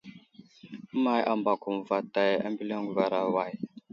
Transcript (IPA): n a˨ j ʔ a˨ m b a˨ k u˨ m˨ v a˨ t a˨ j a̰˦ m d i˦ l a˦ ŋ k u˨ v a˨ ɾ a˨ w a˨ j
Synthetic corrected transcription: m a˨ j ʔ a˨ m b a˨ k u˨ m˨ v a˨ t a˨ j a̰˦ m b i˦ l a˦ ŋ ɡ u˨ v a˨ ɾ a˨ w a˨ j